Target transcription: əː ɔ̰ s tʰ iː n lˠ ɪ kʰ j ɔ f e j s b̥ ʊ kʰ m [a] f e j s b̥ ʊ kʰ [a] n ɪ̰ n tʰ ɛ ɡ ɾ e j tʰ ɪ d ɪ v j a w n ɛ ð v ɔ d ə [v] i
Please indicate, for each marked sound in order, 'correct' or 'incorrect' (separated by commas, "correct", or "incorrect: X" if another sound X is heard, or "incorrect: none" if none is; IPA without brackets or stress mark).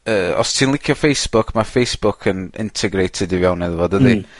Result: correct, incorrect: ə, incorrect: ð